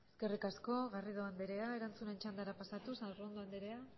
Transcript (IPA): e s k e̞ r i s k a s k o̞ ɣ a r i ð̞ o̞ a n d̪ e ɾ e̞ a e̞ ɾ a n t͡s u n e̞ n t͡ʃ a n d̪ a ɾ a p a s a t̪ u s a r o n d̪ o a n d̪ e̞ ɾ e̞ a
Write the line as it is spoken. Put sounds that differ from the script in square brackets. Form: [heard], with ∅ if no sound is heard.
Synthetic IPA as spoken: e s k e̞ r i [∅] k a s k o̞ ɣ a r i ð̞ o̞ a n d̪ e ɾ e̞ a e̞ ɾ a n t͡s u n e̞ n t͡ʃ a n d̪ a ɾ a p a s a t̪ u s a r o n d̪ o a n d̪ e̞ ɾ e̞ a